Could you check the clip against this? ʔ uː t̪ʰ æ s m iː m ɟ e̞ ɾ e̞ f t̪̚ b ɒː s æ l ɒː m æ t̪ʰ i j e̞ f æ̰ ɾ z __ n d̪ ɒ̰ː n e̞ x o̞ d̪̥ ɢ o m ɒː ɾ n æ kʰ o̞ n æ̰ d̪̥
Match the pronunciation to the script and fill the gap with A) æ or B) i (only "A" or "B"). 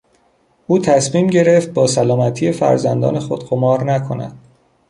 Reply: A